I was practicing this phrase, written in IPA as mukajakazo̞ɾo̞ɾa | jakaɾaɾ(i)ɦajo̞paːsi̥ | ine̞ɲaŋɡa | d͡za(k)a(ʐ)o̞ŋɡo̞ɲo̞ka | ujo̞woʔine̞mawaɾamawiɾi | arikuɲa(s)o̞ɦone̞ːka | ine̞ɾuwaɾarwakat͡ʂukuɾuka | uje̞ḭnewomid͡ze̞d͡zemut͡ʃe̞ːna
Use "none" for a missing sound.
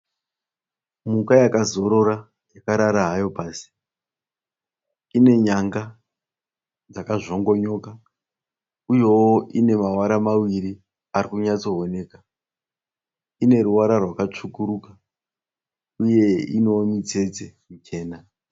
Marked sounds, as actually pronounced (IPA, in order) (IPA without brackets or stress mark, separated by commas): a, k, ʐ, t͡s